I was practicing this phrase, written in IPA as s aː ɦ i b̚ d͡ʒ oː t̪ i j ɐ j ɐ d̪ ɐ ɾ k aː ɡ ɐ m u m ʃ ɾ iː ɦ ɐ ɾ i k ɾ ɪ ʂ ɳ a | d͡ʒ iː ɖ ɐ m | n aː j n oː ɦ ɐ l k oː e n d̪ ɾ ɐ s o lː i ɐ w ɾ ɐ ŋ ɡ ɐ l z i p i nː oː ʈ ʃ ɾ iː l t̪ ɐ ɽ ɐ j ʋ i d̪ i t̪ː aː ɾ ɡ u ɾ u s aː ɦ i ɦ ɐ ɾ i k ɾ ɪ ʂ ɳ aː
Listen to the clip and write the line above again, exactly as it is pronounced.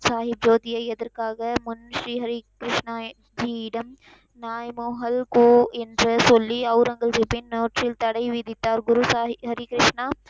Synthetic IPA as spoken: s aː ɦ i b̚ d͡ʒ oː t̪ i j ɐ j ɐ d̪ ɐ ɾ k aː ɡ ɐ m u n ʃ ɾ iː ɦ ɐ ɾ i k ɾ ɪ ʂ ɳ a | d͡ʒ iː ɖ ɐ m | n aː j m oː ɦ ɐ l k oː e n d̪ ɾ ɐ s o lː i ɐ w ɾ ɐ ŋ ɡ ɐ l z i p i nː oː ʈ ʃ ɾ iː l t̪ ɐ ɽ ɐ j ʋ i d̪ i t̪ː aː ɾ ɡ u ɾ u s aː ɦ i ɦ ɐ ɾ i k ɾ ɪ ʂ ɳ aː